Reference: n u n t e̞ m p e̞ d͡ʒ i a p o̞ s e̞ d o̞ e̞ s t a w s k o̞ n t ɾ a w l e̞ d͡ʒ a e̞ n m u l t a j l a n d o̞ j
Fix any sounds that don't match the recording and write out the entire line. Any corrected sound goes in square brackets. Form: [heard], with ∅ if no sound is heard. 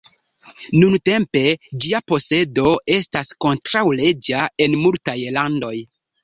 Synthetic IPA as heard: n u n t e̞ m p e̞ d͡ʒ i a p o̞ s e̞ d o̞ e̞ s t a [∅] s k o̞ n t ɾ a w l e̞ d͡ʒ a e̞ n m u l t a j l a n d o̞ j